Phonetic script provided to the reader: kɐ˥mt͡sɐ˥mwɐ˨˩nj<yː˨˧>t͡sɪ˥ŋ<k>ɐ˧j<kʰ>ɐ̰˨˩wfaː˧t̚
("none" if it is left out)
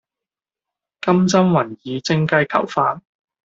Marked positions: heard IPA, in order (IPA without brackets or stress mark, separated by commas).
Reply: iː˨˧, k, kʰ